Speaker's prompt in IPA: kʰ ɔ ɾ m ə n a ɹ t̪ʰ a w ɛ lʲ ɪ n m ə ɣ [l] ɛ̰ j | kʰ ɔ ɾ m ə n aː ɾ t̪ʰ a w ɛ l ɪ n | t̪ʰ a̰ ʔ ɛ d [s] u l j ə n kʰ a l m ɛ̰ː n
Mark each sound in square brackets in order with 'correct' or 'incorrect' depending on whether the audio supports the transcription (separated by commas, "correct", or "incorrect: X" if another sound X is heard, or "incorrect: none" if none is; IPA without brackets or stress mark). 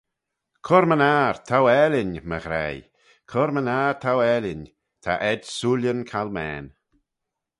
incorrect: ɾ, correct